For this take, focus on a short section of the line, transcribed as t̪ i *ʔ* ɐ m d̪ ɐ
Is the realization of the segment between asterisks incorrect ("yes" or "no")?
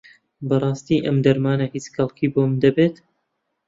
no